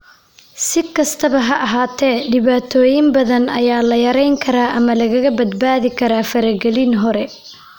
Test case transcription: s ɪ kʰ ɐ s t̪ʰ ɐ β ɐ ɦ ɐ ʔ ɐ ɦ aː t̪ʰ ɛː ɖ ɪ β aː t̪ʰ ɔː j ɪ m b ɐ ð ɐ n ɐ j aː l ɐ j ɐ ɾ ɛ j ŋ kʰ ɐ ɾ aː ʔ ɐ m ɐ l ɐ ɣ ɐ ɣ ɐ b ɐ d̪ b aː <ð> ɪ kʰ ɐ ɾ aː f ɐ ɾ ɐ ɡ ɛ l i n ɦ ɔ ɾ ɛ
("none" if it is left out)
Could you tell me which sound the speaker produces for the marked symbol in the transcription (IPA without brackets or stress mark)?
ð